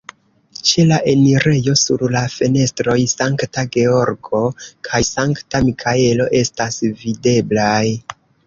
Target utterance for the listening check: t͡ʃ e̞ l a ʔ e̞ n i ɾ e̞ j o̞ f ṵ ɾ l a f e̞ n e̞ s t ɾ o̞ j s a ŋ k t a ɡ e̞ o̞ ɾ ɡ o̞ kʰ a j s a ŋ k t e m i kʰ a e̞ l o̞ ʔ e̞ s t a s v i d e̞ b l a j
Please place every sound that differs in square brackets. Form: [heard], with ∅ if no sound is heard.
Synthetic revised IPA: t͡ʃ e̞ l a ʔ e̞ n i ɾ e̞ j o̞ [s] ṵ ɾ l a f e̞ n e̞ s t ɾ o̞ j s a ŋ k t a ɡ e̞ o̞ ɾ ɡ o̞ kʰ a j s a ŋ k t [a] m i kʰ a e̞ l o̞ ʔ e̞ s t a s v i d e̞ b l a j